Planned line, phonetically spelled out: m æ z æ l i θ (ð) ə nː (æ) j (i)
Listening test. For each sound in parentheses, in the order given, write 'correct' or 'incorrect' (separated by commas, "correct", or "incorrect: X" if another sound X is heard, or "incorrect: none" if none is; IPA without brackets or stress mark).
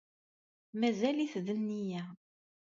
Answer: correct, incorrect: i, incorrect: æ